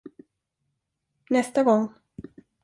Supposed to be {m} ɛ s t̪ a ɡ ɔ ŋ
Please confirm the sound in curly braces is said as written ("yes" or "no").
no